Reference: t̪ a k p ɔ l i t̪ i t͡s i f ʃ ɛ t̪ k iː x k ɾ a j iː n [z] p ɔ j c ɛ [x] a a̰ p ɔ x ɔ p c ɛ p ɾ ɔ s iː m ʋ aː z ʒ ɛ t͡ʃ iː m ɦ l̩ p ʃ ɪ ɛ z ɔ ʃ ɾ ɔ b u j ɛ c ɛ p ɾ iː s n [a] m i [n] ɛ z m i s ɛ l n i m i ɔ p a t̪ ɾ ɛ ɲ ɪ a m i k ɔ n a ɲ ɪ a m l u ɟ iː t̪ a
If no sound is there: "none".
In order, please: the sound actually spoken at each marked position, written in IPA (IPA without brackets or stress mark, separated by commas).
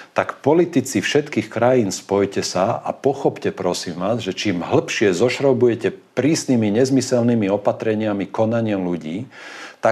s, s, i, ɲ